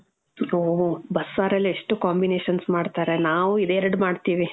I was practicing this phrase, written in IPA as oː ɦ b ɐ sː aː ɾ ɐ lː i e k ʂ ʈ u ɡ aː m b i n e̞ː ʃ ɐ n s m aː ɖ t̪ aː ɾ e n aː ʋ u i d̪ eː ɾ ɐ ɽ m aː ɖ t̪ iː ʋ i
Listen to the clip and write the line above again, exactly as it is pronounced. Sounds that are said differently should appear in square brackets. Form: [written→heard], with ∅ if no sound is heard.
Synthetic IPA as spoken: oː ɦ b ɐ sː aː ɾ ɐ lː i e [k→∅] ʂ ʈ u [ɡ→k] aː m b i n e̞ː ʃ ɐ n s m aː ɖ t̪ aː ɾ e n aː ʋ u i d̪ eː ɾ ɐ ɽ m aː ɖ t̪ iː ʋ i